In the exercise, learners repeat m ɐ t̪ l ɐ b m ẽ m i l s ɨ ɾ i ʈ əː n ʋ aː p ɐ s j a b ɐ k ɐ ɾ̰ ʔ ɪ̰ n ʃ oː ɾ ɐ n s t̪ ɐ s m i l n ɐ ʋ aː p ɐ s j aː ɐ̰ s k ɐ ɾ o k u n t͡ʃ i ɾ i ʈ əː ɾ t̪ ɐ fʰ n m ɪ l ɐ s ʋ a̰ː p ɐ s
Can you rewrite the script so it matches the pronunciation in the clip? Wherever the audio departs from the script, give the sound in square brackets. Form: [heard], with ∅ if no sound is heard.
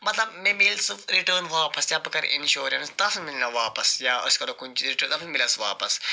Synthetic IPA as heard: m ɐ t̪ l ɐ b m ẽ m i l s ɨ ɾ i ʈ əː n ʋ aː p ɐ s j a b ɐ k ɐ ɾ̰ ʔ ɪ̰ n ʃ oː ɾ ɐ n s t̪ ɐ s m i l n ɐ ʋ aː p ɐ s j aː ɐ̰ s k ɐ ɾ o k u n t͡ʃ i ɾ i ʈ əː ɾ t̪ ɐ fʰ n m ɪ l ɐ s ʋ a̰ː p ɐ s

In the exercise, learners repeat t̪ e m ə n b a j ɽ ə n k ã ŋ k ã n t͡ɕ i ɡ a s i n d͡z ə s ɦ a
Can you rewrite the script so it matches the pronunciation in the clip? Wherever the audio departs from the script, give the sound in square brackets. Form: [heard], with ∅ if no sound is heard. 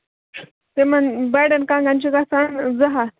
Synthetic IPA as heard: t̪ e m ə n b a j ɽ ə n k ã ŋ [ɡ] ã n t͡ɕ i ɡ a s [a] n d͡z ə [∅] ɦ a

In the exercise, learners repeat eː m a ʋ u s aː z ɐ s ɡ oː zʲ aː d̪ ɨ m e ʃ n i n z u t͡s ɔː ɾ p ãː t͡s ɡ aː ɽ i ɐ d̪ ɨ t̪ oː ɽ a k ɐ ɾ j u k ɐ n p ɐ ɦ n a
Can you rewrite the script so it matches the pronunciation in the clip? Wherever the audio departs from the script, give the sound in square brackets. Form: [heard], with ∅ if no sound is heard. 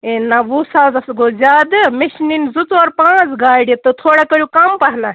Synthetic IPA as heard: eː [n] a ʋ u s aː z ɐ s ɡ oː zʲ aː d̪ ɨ m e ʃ n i n z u t͡s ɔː ɾ p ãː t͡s ɡ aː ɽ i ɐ [t̪] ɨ [t̪ʰ] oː ɽ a k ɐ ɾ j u k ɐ [m] p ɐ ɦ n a

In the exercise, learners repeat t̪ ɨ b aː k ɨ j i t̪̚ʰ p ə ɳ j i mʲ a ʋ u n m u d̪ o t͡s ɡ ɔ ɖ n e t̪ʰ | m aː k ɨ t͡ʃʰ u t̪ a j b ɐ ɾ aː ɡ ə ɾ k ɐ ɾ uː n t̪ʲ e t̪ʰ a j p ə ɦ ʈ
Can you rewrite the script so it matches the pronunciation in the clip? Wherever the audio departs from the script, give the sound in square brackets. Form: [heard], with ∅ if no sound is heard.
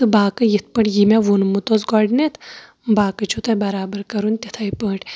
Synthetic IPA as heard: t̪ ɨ b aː k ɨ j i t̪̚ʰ p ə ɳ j i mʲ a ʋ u n m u [t̪] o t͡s ɡ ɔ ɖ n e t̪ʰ | [b] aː k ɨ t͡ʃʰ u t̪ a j b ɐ ɾ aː [b] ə ɾ k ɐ ɾ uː n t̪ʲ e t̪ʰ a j p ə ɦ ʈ

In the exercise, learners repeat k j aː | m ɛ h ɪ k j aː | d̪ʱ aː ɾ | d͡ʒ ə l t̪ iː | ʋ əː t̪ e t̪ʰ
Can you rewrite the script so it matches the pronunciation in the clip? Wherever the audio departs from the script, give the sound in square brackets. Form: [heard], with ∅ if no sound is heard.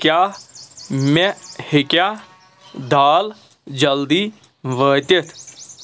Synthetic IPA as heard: k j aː | m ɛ h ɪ k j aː | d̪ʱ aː [l] | d͡ʒ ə l [d̪] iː | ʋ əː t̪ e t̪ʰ

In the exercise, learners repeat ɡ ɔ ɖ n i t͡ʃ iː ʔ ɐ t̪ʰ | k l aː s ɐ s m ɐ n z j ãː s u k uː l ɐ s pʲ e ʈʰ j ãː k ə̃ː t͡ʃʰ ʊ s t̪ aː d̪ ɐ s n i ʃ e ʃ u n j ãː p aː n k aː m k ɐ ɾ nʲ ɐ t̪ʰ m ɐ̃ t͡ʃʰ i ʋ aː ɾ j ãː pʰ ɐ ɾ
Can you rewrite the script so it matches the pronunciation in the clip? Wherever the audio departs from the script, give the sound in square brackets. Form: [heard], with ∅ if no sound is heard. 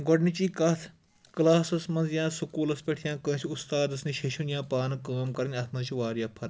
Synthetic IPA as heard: ɡ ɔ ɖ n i t͡ʃ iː [k] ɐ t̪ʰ | k l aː s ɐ s m ɐ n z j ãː s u k uː l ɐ s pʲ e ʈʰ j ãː k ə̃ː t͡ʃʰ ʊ s t̪ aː d̪ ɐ s n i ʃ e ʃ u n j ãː p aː n k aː m k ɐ ɾ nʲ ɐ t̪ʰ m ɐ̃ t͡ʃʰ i ʋ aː ɾ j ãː pʰ ɐ ɾ

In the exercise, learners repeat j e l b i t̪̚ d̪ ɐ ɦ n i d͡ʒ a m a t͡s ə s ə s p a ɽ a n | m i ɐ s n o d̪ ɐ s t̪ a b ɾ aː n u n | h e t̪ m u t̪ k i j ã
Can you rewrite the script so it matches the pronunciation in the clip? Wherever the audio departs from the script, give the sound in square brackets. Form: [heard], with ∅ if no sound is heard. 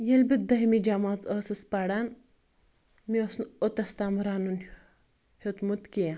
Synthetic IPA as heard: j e l b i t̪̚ d̪ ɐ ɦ [m] i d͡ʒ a m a t͡s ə s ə s p a ɽ a n | m i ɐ s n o [t̪] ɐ s t̪ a [m] ɾ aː n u n | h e t̪ m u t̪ k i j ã

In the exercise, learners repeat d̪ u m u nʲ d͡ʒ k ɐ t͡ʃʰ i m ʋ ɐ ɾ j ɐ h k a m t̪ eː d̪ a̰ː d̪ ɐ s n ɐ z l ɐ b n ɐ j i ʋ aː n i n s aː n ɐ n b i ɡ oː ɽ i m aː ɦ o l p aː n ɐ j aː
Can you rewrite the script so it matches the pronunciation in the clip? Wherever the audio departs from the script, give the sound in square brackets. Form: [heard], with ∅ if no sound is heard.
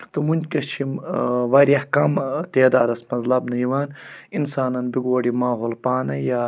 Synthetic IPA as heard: [t̪] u m u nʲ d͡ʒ k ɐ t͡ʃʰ i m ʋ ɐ ɾ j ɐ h k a m t̪ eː d̪ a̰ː d̪ ɐ s [m] ɐ z l ɐ b n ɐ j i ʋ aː n i n s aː n ɐ n b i ɡ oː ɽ i m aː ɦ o l p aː n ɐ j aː

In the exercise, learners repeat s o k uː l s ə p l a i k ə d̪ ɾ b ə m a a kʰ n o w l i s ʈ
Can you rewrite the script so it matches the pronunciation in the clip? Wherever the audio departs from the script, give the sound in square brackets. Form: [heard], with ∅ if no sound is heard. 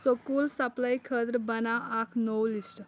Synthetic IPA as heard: s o k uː l s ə p l a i [kʰ] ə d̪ ɾ b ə [n] a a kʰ n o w l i s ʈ

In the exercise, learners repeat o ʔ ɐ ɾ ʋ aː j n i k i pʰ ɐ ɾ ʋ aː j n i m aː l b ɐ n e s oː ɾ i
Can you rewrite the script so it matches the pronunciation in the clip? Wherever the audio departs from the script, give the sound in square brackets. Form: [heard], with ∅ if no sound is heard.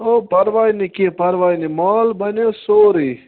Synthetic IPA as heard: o [p] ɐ ɾ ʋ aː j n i k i [p] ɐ ɾ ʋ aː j n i m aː l b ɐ n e s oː ɾ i

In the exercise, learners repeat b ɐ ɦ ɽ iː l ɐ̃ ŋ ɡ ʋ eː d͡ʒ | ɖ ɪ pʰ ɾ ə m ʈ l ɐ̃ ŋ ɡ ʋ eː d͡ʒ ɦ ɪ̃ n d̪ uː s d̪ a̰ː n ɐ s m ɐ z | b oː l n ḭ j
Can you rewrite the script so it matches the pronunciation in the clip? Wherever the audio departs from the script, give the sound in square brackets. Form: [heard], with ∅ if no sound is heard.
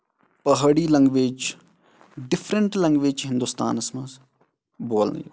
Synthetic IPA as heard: [p] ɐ ɦ ɽ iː l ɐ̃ ŋ ɡ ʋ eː d͡ʒ | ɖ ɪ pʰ ɾ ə [ɳ] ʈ l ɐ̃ ŋ ɡ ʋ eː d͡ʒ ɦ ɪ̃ n d̪ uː s [t̪] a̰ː n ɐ s m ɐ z | b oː l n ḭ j

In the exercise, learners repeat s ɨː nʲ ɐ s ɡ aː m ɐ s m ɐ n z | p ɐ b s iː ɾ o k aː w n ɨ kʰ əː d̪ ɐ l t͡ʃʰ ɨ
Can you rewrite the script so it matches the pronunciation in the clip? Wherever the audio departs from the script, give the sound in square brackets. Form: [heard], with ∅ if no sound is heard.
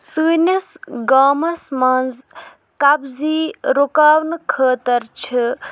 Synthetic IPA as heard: s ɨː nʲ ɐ s ɡ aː m ɐ s m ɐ n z | [k] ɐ b [z] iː ɾ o k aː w n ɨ kʰ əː [t̪] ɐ [ɾ] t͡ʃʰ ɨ

